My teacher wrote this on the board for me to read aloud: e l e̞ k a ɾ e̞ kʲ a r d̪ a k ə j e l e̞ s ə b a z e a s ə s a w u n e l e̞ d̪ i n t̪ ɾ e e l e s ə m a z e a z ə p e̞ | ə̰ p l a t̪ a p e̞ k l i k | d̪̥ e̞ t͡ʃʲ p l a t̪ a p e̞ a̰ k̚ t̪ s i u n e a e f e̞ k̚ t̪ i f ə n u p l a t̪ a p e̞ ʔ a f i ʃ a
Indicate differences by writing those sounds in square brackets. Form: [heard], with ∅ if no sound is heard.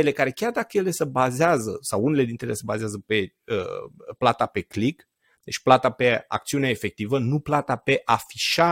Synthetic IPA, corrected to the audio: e l e̞ k a ɾ e̞ kʲ a r d̪ a k ə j e l e̞ s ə b a z e a [z] ə s a w u n e l e̞ d̪ i n t̪ ɾ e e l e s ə [b] a z e a z ə p e̞ | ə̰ p l a t̪ a p e̞ k l i k | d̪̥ e̞ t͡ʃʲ p l a t̪ a p e̞ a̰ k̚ t̪ s i u n e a e f e̞ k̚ t̪ i [v] ə n u p l a t̪ a p e̞ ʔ a f i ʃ a